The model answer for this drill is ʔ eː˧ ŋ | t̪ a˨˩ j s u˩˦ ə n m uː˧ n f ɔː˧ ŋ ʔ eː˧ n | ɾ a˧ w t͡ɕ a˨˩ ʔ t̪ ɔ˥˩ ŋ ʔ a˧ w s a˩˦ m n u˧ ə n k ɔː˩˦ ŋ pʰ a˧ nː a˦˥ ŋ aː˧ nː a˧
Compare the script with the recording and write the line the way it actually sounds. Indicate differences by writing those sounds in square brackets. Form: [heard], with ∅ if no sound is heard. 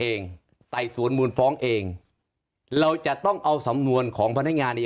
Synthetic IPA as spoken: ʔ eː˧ ŋ | t̪ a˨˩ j s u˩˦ ə n m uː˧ n f [ɔː˦˥] ŋ ʔ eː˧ [ŋ] | ɾ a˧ w t͡ɕ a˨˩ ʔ t̪ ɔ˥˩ ŋ ʔ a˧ w s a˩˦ m n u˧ ə n [kʰ] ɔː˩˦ ŋ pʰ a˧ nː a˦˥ ŋ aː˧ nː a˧